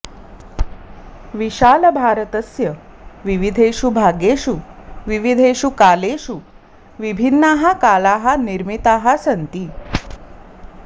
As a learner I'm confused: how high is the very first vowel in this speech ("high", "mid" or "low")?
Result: high